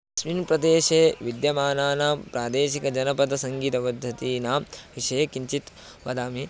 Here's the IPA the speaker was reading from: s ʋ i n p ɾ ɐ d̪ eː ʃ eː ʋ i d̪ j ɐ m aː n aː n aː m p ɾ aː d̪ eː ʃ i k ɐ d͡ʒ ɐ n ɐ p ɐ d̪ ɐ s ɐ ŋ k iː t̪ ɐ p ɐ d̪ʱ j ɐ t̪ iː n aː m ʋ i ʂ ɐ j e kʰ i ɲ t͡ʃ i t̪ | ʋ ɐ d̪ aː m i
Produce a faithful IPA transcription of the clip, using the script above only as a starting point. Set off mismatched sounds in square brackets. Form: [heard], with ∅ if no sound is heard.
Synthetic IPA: s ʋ i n p ɾ ɐ d̪ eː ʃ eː ʋ i d̪ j ɐ m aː n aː n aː m p ɾ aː d̪ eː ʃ i k ɐ d͡ʒ ɐ n ɐ p ɐ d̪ ɐ s ɐ ŋ [ɡ] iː t̪ ɐ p ɐ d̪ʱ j ɐ t̪ iː n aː m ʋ i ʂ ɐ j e [k] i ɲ t͡ʃ i t̪ | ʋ ɐ d̪ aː m i